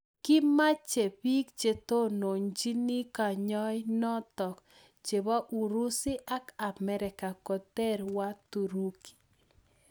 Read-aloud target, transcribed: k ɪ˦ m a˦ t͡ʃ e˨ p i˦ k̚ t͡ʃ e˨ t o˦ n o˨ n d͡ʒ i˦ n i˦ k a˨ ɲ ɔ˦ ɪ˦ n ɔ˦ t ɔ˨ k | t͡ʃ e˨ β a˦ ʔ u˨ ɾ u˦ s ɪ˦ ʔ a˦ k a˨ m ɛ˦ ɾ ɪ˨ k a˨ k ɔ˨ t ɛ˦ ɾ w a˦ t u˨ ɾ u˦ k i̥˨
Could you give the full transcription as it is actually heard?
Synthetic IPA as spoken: k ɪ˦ m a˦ t͡ʃ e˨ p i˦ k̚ t͡ʃ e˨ t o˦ n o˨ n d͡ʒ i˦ n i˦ k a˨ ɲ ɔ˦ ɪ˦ n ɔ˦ t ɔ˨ k | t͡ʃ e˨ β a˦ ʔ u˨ ɾ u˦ s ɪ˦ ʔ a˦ k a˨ m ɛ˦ ɾ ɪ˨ k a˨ k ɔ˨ t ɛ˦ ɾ w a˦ t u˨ ɾ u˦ k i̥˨